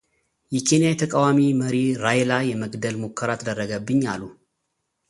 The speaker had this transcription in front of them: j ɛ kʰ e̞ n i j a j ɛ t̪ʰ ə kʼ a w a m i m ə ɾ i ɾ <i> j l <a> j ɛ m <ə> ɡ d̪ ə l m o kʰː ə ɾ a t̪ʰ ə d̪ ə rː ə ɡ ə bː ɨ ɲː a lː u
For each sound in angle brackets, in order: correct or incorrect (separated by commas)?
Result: incorrect, correct, correct